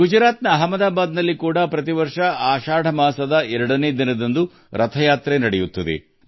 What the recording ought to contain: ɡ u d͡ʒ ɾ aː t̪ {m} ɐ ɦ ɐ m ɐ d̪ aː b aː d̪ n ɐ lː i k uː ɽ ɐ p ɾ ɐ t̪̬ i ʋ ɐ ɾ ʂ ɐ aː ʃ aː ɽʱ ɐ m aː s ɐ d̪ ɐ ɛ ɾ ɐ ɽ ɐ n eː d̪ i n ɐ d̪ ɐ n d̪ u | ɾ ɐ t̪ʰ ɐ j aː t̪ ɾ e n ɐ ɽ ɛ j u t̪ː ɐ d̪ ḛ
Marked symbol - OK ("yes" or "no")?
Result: no